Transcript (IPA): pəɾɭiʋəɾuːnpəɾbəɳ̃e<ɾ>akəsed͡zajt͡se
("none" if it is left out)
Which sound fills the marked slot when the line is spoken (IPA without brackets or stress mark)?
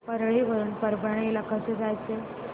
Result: l